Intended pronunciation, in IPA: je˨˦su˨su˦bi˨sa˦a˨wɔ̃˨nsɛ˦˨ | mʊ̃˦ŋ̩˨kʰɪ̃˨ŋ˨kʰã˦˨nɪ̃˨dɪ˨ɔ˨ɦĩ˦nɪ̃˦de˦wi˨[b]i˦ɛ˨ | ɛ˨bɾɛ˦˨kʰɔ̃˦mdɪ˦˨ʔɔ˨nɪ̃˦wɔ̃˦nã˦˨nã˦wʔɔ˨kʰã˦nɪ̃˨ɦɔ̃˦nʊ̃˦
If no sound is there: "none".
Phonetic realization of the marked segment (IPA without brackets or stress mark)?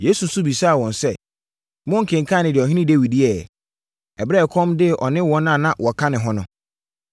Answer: d